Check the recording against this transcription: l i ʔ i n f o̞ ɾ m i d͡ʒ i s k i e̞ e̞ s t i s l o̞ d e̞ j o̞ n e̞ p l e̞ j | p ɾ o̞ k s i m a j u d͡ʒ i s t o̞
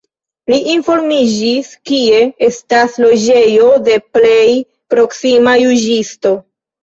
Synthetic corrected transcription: l i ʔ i n f o̞ ɾ m i d͡ʒ i s k i e̞ e̞ s t a s l o̞ d͡ʒ e̞ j o̞ d e̞ p l e̞ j | p ɾ o̞ k s i m a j u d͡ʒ i s t o̞